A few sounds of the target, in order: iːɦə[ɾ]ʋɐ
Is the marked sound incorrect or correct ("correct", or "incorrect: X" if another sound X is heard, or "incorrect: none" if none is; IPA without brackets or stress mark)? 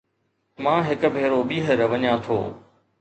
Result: correct